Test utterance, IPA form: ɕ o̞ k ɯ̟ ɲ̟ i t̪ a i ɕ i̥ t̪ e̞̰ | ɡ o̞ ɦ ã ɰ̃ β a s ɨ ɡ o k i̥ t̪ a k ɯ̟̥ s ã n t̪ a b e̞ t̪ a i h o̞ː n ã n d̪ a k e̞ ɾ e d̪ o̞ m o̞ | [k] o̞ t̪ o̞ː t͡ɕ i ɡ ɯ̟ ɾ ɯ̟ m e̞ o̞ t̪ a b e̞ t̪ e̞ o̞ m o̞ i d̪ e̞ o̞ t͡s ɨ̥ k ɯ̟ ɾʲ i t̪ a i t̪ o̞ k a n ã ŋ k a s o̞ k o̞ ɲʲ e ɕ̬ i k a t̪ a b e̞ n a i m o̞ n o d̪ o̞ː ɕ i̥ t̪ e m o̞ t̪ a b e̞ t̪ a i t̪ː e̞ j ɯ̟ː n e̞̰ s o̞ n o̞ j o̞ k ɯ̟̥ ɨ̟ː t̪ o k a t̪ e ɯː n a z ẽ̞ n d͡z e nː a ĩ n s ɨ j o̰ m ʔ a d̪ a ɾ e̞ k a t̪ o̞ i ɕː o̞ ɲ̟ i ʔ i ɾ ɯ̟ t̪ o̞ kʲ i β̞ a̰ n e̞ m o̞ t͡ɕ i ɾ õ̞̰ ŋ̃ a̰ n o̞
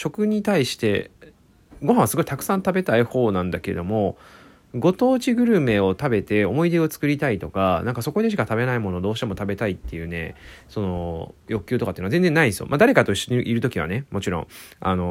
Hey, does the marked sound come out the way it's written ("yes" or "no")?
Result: no